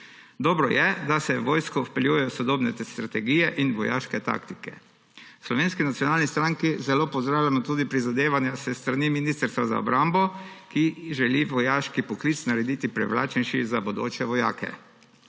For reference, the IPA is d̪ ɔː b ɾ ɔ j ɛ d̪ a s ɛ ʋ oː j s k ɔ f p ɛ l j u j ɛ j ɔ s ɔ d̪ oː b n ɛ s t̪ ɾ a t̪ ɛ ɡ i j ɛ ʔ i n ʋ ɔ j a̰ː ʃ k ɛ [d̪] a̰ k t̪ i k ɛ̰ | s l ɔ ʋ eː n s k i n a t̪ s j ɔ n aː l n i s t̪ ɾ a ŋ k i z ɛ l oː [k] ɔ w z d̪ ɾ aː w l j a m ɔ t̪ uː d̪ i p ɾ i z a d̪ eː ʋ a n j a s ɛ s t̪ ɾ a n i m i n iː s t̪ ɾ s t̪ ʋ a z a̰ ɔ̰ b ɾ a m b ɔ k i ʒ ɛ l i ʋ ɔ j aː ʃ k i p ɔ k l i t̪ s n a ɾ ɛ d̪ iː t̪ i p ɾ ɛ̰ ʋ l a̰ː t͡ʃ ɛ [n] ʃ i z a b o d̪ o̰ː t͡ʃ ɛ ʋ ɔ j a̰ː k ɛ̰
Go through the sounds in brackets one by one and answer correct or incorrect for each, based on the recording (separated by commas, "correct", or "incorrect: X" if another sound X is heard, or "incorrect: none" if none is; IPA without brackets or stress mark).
incorrect: t̪, incorrect: p, correct